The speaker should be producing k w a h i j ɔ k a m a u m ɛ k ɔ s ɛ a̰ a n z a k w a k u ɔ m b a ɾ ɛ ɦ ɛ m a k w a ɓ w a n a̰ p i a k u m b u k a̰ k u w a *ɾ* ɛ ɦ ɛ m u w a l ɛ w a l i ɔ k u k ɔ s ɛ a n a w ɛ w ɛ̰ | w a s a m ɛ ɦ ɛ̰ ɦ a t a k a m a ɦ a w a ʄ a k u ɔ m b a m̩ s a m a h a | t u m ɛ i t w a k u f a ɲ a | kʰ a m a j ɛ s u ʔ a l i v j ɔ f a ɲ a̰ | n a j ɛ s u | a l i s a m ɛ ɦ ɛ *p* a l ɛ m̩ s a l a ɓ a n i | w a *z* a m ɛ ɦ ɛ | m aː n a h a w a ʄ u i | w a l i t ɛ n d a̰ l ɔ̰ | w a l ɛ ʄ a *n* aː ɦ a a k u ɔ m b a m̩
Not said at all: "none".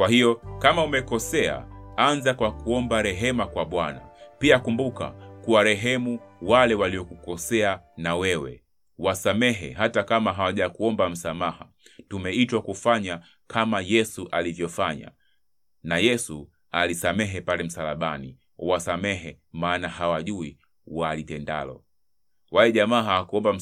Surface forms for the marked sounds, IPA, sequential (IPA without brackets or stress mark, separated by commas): ɾ, p, s, m